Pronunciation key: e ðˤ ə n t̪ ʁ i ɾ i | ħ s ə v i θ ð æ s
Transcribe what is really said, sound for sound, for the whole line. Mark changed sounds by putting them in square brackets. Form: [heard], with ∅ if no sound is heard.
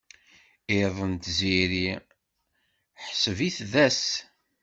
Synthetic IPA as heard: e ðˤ ə n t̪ [z] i ɾ i | ħ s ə v i θ ð æ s